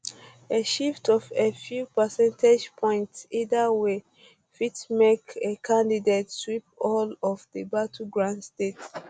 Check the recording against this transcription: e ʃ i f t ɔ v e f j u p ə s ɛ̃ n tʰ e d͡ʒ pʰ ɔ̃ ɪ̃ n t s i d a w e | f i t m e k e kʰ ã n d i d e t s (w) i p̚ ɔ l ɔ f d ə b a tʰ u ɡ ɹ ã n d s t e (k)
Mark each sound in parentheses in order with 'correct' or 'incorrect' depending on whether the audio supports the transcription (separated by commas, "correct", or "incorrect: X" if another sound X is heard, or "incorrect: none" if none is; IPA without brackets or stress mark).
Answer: correct, incorrect: t